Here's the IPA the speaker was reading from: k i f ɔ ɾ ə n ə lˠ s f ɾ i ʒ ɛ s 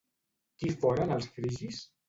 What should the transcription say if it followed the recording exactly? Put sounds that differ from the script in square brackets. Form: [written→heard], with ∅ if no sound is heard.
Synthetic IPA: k i f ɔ ɾ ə n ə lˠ s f ɾ i ʒ [ɛ→i] s